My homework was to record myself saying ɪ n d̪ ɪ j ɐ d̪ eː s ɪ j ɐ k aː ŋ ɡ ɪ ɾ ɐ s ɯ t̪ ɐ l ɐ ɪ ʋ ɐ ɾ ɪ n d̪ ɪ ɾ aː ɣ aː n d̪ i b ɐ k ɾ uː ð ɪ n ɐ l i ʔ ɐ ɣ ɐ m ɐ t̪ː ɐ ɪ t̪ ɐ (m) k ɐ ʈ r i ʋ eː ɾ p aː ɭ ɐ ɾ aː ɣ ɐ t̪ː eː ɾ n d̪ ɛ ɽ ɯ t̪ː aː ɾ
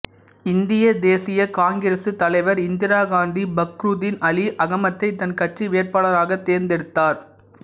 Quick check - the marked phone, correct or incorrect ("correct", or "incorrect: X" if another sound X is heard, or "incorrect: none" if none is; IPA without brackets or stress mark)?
incorrect: n